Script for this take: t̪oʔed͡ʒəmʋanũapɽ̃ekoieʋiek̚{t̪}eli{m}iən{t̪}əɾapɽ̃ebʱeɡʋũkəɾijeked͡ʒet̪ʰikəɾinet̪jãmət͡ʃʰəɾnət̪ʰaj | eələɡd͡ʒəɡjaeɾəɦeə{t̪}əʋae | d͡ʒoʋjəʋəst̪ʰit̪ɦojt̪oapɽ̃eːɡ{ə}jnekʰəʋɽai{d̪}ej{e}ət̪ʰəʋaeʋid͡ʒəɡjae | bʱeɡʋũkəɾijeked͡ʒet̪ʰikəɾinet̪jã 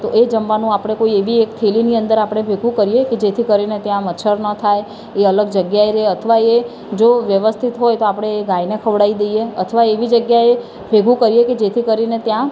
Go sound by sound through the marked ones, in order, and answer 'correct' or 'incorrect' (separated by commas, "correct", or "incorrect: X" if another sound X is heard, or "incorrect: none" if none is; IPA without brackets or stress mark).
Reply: incorrect: t̪ʰ, incorrect: n, incorrect: d̪, incorrect: t̪ʰ, incorrect: a, correct, correct